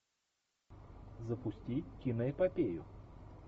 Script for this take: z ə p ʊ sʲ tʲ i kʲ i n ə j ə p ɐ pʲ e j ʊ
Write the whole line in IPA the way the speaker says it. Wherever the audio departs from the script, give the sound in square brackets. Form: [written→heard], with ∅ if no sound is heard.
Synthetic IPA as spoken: z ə p ʊ sʲ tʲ i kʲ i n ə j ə p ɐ pʲ e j ʊ